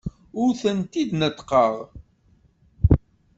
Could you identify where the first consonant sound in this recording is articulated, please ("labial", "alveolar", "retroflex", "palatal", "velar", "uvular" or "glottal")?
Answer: alveolar